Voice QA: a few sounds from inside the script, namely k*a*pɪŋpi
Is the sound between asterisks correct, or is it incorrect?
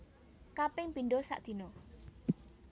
correct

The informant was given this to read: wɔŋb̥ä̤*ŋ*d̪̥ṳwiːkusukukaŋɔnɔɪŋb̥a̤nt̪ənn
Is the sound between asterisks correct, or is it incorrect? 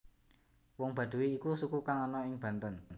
incorrect: none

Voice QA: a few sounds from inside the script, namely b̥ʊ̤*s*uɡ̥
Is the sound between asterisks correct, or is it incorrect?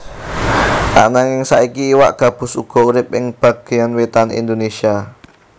correct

